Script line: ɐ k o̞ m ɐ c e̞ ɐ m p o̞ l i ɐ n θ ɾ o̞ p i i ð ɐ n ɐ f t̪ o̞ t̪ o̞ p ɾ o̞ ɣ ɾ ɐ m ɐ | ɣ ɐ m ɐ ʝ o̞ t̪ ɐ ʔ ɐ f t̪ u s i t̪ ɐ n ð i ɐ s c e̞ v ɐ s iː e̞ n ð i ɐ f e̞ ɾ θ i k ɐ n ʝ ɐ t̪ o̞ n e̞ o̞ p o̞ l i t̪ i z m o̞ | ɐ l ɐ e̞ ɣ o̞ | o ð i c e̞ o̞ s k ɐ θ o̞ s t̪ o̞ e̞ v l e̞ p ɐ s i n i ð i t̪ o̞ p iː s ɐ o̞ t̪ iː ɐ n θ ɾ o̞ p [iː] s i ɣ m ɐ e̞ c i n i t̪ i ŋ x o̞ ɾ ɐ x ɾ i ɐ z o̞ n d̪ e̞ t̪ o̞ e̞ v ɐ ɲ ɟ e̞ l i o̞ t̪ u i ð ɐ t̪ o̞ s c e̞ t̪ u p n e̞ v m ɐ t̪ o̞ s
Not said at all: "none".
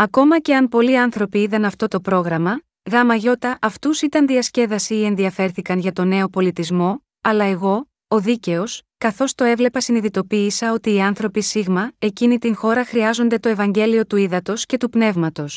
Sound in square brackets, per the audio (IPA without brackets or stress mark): i